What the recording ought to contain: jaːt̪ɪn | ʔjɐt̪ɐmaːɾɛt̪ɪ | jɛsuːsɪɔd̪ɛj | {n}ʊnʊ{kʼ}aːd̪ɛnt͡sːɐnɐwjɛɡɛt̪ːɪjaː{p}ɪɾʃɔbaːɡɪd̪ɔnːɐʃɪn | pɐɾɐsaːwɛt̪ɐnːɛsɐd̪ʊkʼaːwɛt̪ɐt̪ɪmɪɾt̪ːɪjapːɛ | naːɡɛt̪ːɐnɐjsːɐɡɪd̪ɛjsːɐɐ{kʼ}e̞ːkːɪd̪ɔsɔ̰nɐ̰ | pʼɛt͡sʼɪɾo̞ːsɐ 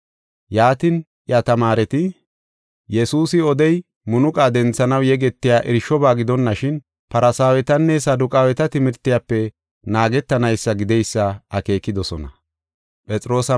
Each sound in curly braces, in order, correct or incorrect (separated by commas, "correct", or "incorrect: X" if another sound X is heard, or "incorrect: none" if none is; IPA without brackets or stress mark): incorrect: m, correct, incorrect: ʔ, incorrect: k